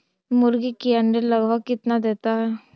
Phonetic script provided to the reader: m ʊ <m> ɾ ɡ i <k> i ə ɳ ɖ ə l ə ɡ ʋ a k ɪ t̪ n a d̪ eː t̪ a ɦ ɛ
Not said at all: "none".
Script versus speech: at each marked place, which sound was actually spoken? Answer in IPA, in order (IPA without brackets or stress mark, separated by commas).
none, k